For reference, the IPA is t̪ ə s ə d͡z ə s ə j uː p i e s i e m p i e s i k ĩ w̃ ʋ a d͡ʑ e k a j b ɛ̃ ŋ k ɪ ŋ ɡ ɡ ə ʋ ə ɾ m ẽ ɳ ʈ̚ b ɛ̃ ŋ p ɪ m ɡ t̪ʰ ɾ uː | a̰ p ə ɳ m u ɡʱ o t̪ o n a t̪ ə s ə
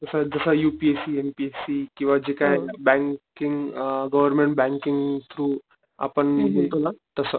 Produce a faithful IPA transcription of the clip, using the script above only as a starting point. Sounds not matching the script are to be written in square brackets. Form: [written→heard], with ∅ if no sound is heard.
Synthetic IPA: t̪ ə s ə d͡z ə s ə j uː p i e s i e m p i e s i k ĩ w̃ ʋ a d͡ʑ e k a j b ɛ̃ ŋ k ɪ ŋ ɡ ɡ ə ʋ ə ɾ m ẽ ɳ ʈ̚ b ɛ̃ ŋ [p→k] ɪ [m→ŋ] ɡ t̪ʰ ɾ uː | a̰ p ə ɳ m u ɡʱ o t̪ o n a t̪ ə s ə

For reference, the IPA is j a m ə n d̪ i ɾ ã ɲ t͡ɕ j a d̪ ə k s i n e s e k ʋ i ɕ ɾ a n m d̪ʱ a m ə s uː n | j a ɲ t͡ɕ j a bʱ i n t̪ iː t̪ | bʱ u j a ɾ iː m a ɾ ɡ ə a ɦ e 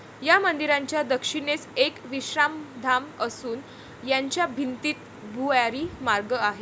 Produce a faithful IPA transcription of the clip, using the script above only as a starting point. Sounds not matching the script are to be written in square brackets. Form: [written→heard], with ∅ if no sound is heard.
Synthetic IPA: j a m ə n d̪ i ɾ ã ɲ t͡ɕ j a d̪ ə k [s→ʂ] i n e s e k ʋ i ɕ ɾ a [n→∅] m d̪ʱ a m ə s uː n | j a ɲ t͡ɕ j a bʱ i n t̪ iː t̪ | bʱ u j a ɾ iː m a ɾ ɡ ə a ɦ e

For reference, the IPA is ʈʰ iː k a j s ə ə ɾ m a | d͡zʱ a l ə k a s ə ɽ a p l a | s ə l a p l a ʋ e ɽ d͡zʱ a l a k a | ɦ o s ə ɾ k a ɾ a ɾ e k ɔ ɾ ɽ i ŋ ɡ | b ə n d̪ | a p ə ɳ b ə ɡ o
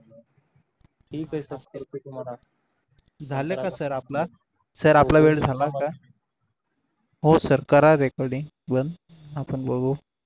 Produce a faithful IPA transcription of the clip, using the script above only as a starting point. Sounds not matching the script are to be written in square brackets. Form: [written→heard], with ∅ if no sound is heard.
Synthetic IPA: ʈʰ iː k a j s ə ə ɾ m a | d͡zʱ a l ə k a s ə [ɽ→ɾ] a p l a | s ə [l→ɾ] a p l a ʋ e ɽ d͡zʱ a l a k a | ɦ o s ə ɾ k a ɾ a ɾ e k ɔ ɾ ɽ i ŋ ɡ | b ə n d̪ | a p ə ɳ b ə ɡ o

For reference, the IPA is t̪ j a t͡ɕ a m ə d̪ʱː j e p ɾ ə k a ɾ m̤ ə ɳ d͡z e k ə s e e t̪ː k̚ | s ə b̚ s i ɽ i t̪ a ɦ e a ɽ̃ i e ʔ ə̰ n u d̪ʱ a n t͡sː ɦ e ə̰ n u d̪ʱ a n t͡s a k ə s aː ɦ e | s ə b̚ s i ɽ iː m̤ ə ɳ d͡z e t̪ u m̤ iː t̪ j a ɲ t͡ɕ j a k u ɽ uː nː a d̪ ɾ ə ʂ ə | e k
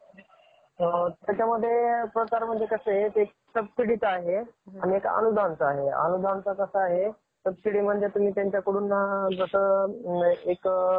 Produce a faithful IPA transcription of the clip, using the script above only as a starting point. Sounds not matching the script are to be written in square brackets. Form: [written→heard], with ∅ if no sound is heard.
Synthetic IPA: t̪ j a t͡ɕ a m ə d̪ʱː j e p ɾ ə k a ɾ m̤ ə ɳ d͡z e k ə s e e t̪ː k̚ | s ə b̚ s i ɽ i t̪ a ɦ e a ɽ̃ i e [ʔ→k] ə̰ n u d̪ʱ a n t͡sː ɦ e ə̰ n u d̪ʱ a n t͡s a k ə s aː ɦ e | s ə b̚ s i ɽ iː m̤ ə ɳ d͡z e t̪ u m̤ iː t̪ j a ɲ t͡ɕ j a k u ɽ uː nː a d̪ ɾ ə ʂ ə | e k

